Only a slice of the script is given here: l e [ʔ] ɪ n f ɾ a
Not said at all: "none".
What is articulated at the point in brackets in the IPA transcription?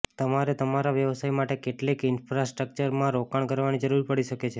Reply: k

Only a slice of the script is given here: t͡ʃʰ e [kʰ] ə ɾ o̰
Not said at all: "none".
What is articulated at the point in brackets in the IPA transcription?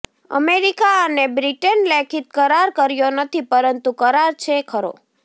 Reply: kʰ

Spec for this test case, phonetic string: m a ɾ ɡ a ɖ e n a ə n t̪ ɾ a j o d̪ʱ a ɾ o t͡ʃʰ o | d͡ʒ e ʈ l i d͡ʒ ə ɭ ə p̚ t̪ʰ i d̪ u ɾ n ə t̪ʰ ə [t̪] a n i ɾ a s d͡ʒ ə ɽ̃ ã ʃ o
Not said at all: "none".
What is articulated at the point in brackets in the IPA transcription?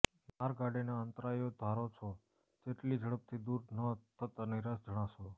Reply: t̪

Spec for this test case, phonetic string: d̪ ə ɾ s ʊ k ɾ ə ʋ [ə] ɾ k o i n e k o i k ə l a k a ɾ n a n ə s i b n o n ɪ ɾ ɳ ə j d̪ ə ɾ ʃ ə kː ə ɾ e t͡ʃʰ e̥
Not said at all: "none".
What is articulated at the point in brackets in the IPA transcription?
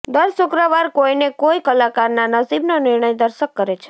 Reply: a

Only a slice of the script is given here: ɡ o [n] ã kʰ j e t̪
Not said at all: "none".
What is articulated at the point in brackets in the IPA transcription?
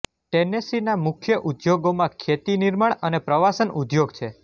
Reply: m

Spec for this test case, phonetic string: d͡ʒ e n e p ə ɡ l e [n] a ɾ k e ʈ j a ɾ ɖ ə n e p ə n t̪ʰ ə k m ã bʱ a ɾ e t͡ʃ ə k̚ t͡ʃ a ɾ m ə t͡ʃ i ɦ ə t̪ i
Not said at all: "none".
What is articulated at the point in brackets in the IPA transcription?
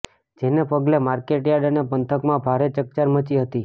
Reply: m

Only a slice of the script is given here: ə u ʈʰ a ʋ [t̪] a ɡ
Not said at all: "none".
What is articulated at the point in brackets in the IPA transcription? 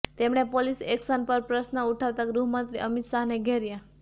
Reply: t̪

